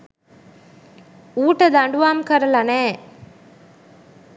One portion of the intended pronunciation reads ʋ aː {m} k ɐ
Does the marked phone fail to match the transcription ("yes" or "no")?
no